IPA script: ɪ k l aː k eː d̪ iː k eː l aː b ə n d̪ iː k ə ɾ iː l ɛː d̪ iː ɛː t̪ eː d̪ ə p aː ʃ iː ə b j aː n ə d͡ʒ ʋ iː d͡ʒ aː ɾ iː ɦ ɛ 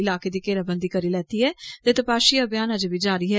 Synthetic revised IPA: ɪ l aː k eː d̪ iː k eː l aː b ə n d̪ iː k ə ɾ iː l ɛː t̪ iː ɛː t̪ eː t̪ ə p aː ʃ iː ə b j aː n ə d͡ʒ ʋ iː d͡ʒ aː ɾ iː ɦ ɛ